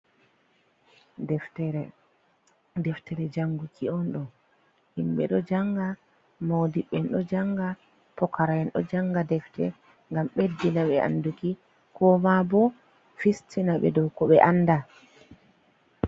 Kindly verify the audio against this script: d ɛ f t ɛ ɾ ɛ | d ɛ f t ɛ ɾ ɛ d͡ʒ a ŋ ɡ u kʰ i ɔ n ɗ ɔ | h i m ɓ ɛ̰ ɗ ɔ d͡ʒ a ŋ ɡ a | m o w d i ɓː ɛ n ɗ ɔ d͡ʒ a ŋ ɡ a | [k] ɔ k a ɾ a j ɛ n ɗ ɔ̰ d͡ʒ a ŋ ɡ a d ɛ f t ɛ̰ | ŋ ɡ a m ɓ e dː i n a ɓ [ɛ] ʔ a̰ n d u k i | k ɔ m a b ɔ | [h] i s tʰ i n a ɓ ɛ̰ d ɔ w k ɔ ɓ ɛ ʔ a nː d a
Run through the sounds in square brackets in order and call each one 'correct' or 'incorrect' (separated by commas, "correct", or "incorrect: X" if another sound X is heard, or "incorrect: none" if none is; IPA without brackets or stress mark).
incorrect: p, correct, incorrect: f